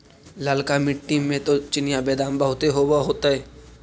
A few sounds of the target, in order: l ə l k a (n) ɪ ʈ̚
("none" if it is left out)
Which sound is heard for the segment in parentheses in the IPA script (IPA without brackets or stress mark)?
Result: m